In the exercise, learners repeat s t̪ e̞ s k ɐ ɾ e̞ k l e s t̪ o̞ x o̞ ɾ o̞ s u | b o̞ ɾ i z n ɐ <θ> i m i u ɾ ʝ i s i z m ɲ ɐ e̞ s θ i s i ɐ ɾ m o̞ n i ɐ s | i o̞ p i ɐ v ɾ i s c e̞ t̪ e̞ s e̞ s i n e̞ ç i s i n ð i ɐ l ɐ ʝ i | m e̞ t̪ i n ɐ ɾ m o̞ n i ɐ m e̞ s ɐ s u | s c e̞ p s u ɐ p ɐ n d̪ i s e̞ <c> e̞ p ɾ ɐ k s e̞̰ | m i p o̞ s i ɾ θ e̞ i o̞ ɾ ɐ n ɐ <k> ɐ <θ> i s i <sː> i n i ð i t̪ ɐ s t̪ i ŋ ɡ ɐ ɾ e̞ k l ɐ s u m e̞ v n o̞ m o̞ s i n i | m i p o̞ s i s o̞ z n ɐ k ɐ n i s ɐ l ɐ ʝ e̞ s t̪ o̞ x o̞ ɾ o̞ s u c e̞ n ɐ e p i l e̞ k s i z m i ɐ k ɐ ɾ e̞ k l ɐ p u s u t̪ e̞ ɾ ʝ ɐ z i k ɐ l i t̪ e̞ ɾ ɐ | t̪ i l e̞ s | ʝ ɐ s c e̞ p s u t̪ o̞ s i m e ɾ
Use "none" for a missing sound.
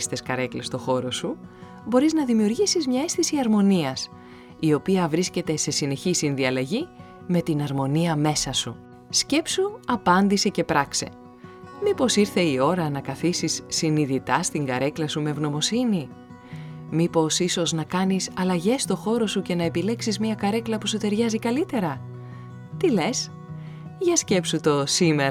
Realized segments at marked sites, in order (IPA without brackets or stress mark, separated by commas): ð, c, k, θ, sː